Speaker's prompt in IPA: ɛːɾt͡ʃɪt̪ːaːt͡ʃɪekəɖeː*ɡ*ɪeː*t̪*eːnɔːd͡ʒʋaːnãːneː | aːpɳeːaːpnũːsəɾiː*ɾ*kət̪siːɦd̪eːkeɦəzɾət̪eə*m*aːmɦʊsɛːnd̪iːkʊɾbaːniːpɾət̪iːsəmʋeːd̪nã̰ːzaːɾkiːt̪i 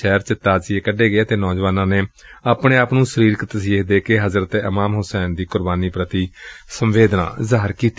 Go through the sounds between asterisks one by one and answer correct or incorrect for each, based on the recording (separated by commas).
correct, correct, correct, correct